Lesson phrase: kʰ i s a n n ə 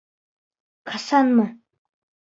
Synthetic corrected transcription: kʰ a s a n m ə